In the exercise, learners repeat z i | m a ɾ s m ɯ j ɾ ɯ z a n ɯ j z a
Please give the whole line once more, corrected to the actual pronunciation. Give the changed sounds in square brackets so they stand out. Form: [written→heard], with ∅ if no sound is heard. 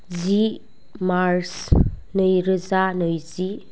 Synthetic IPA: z i | m a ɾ s [m→n] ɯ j ɾ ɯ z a n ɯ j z [a→i]

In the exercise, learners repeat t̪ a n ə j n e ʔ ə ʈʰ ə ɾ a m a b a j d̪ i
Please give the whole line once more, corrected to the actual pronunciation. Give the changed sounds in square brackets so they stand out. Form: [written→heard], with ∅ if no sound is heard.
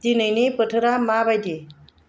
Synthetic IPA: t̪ [a→i] n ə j n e [ʔ→p] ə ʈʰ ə ɾ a m a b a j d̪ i

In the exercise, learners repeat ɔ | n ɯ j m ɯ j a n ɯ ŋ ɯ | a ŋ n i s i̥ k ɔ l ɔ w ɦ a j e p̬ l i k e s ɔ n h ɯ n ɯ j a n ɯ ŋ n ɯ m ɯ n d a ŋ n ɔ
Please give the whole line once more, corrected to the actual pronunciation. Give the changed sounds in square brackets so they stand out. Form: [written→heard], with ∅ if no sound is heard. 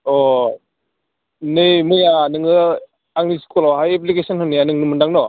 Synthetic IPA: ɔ | n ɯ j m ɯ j a n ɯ ŋ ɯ | a ŋ n i s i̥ k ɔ l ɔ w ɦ a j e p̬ l i k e s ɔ n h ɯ n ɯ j a n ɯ ŋ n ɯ m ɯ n d a ŋ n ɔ

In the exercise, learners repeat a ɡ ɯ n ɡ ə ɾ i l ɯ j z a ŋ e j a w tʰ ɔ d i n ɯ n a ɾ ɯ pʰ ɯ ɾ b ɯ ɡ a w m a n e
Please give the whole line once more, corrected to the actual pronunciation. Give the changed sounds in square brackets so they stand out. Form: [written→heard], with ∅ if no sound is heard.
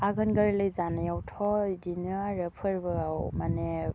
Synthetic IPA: a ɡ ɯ n ɡ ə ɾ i l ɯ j z a [ŋ→n] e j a w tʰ ɔ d i n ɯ [n→∅] a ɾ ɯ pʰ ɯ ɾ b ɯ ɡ a w m a n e

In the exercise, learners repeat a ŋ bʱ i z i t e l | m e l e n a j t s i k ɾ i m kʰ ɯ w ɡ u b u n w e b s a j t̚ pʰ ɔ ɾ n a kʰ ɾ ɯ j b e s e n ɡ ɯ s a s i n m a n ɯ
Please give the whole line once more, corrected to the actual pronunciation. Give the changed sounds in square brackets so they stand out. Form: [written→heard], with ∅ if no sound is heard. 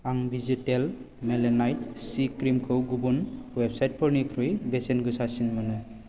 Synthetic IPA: a ŋ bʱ i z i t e l | m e l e n a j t s i k ɾ i m kʰ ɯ w ɡ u b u n w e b s a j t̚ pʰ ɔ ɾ n [a→i] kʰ ɾ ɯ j b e s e n ɡ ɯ s a s i n m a n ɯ

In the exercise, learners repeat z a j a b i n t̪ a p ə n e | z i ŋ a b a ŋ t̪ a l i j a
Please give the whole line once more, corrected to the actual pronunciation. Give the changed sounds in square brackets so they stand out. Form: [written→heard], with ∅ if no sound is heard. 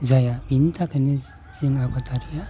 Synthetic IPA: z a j a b i n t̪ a [p→k] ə n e | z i ŋ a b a [ŋ→∅] t̪ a [l→ɾ] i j a

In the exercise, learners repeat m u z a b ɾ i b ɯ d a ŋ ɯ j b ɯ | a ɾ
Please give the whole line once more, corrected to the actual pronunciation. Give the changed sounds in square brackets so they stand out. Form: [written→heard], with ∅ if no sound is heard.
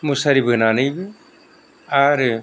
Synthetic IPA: m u [z→s] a [b→∅] ɾ i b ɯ [d→n] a [ŋ→n] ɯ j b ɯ | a ɾ

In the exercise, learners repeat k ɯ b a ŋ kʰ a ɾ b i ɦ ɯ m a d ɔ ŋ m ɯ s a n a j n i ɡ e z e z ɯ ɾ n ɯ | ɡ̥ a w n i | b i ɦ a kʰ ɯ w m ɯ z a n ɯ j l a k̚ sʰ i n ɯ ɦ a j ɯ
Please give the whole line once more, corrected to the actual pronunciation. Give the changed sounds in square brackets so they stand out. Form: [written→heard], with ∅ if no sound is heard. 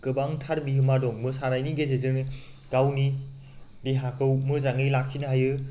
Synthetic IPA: k ɯ b a ŋ [kʰ→tʰ] a ɾ b i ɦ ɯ m a d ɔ ŋ m ɯ s a n a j n i ɡ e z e z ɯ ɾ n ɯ | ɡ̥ a w n i | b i ɦ a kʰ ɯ w m ɯ z a [n→ŋ] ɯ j l a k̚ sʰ i n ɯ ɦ a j ɯ

